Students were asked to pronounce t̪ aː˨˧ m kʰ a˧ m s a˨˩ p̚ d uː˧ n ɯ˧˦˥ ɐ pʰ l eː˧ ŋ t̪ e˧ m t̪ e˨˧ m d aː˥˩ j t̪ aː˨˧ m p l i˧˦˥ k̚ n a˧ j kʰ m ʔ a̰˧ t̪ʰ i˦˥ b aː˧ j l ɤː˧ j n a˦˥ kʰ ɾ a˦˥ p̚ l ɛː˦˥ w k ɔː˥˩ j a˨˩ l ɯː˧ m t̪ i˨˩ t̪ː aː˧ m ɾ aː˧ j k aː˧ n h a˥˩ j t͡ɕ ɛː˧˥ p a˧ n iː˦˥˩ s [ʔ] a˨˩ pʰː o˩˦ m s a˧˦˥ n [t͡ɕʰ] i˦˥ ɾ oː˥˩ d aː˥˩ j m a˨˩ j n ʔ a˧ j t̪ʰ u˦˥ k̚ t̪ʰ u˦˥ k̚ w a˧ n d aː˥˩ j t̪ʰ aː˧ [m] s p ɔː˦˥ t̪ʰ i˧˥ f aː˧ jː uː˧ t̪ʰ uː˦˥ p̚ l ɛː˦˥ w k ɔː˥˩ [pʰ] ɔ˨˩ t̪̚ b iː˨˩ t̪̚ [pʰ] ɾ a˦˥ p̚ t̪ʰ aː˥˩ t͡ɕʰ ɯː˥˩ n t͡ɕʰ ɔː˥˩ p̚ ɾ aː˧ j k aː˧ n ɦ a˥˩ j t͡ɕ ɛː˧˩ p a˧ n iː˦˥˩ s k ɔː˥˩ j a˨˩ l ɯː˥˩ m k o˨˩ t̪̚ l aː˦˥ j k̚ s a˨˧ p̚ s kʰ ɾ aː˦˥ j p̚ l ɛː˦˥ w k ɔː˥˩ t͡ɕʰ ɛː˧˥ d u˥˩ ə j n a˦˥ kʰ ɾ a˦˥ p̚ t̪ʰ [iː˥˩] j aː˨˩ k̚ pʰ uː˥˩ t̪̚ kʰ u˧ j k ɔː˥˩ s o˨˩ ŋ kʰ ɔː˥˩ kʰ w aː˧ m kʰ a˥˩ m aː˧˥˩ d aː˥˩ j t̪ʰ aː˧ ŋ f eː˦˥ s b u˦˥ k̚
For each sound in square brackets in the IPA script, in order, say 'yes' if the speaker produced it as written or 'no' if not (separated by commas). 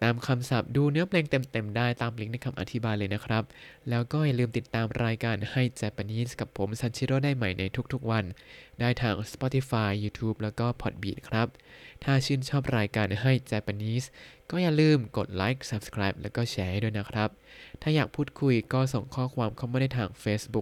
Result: no, yes, no, yes, no, no